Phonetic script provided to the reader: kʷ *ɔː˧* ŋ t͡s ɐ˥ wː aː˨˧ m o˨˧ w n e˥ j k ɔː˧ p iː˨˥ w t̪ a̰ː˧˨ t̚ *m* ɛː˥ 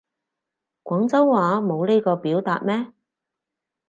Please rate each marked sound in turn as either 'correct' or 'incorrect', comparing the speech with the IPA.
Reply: incorrect: ɔː˨˥, correct

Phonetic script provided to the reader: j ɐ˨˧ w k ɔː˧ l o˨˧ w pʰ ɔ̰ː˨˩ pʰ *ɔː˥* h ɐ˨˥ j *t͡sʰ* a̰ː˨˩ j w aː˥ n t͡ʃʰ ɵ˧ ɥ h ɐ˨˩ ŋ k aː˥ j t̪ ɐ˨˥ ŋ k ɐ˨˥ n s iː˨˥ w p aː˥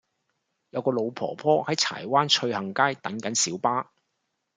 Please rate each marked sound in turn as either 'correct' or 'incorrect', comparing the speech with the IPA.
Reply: correct, correct

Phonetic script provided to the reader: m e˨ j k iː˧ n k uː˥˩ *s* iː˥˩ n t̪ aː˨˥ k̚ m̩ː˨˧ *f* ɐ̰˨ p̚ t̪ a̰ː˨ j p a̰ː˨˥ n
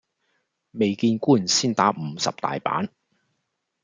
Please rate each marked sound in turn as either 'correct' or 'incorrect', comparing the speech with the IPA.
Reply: correct, incorrect: s

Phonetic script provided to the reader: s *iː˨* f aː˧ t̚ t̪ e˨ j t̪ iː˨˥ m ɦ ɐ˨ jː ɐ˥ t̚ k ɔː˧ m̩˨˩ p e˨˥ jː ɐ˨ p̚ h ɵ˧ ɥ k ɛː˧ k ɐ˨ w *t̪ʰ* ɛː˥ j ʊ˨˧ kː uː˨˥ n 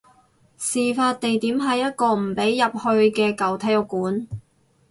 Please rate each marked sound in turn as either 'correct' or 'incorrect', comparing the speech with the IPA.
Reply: correct, correct

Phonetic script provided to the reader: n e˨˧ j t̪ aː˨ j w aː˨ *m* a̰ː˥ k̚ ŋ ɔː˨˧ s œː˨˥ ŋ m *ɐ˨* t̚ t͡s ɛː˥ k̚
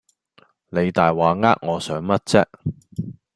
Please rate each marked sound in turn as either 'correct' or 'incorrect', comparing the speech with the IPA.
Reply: incorrect: ŋ, incorrect: ɐ˥

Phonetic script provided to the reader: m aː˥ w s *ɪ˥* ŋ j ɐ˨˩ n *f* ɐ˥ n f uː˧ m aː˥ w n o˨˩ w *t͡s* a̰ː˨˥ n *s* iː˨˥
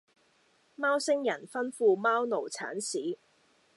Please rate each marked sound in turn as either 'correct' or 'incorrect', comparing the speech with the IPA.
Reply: correct, correct, incorrect: t͡sʰ, correct

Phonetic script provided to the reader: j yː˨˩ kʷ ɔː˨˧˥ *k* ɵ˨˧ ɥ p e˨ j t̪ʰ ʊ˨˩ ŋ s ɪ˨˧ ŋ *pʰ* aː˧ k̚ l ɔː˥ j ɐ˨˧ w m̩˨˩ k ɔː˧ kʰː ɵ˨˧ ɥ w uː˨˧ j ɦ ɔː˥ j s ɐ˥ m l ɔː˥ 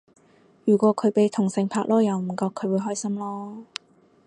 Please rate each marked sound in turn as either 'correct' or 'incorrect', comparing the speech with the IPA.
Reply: incorrect: kʰ, correct

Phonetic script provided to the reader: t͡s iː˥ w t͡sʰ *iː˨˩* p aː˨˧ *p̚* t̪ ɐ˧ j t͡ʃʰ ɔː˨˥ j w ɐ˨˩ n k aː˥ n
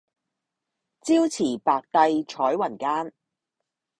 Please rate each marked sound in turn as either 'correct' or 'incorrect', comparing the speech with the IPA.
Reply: correct, incorrect: k̚

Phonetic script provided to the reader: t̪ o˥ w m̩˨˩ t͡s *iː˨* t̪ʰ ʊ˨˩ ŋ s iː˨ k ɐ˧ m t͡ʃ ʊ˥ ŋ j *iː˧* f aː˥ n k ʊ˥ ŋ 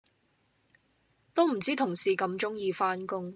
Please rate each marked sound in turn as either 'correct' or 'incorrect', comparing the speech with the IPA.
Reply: incorrect: iː˥, correct

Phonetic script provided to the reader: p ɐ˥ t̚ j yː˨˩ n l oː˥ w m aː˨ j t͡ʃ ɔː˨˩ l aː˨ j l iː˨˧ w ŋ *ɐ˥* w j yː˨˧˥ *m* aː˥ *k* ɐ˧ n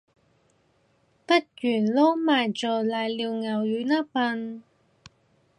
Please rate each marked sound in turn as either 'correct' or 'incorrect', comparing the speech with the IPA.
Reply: incorrect: ɐ˨˩, incorrect: n, incorrect: p

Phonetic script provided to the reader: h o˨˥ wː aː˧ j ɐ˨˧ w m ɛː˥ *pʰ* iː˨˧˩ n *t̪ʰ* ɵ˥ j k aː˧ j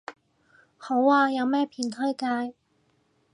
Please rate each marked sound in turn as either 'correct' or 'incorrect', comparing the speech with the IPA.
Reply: correct, correct

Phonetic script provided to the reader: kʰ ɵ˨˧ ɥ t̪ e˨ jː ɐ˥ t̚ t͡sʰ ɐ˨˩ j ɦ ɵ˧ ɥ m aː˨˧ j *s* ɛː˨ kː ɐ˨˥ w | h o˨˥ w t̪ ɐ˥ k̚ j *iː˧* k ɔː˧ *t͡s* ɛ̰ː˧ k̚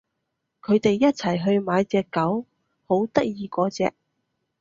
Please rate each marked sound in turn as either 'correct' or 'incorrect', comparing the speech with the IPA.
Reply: incorrect: t͡s, correct, correct

